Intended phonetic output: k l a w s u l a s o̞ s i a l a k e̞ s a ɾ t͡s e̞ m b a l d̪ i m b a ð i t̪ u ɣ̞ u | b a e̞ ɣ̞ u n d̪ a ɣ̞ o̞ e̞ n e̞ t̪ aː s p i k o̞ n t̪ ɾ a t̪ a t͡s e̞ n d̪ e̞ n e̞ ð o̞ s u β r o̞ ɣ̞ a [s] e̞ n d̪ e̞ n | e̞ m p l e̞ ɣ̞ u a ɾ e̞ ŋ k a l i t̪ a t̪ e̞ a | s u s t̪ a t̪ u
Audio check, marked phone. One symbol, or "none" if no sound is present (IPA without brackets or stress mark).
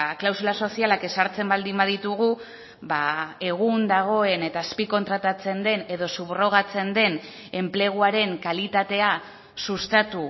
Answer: t͡s